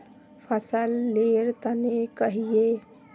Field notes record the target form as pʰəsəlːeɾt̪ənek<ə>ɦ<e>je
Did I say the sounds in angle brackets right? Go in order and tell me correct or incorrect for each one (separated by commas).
correct, incorrect